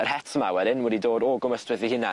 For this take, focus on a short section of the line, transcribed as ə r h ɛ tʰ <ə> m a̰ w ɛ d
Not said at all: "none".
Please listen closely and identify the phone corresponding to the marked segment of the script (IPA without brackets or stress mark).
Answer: ə